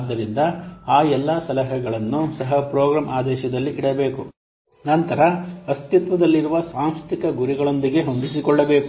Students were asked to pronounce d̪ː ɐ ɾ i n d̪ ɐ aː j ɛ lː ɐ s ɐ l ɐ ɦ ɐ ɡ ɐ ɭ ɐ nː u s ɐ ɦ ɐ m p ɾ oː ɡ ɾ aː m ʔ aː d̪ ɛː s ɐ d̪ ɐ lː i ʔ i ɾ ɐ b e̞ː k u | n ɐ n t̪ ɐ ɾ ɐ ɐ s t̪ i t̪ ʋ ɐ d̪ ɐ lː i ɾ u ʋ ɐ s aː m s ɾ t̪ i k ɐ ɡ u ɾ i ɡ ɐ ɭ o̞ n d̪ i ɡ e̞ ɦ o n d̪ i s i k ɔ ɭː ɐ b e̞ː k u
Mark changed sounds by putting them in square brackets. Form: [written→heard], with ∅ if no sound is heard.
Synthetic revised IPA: d̪ː ɐ ɾ i n d̪ ɐ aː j ɛ lː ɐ s ɐ l ɐ ɦ ɐ ɡ ɐ ɭ ɐ nː u s ɐ ɦ ɐ [m→∅] p ɾ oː ɡ ɾ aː m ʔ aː d̪ ɛː [s→ʃ] ɐ d̪ ɐ lː i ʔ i [ɾ→ɽ] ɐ b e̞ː k u | n ɐ n t̪ ɐ ɾ ɐ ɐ s t̪ i t̪ ʋ ɐ d̪ ɐ lː i ɾ u ʋ ɐ s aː m s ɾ t̪ i k ɐ ɡ u ɾ i ɡ ɐ ɭ o̞ n d̪ i ɡ e̞ ɦ o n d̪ i s i k ɔ ɭː ɐ b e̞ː k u